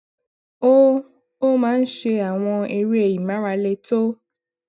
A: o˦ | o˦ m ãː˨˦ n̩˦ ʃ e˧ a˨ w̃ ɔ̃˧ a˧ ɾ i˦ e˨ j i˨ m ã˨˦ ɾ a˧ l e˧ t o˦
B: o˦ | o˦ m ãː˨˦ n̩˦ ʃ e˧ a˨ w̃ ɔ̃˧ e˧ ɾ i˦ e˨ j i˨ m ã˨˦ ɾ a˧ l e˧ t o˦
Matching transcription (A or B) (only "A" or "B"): B